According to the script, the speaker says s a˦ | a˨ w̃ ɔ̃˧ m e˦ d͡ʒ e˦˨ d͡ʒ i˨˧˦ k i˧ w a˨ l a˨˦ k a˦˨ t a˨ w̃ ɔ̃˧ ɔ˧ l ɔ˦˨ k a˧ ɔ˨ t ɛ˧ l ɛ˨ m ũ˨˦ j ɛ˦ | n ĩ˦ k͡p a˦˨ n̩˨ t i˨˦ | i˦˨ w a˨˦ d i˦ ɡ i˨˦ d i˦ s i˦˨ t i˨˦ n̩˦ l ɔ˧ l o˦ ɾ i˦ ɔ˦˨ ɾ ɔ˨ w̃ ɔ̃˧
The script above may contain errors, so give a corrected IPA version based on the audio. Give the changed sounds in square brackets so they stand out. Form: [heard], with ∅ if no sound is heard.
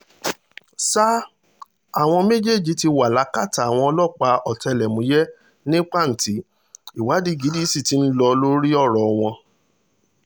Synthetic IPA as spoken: s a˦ | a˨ w̃ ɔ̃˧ m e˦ d͡ʒ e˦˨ d͡ʒ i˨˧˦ [t] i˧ w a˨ l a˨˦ k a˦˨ t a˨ w̃ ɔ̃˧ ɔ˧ l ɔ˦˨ [k͡p] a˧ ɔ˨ t ɛ˧ l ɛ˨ m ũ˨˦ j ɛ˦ | n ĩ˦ k͡p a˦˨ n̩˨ t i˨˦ | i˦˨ w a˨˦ d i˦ ɡ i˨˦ d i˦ s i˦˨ t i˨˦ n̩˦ l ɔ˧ l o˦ ɾ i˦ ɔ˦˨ ɾ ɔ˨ w̃ ɔ̃˧